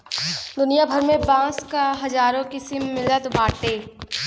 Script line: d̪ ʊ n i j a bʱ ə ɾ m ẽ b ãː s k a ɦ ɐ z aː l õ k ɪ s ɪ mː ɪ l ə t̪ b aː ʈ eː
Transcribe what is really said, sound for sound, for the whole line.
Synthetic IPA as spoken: d̪ ʊ n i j a bʱ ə ɾ m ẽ b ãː s k a ɦ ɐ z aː ɾ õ k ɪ s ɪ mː ɪ l ə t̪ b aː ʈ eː